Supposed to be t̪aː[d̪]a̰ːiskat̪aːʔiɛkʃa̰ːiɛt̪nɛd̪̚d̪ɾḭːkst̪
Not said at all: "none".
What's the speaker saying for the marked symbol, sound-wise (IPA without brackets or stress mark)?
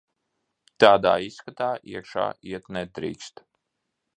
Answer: d̪